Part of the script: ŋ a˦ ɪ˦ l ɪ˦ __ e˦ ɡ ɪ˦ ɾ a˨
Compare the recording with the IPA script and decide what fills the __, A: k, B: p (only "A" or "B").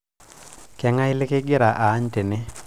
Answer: A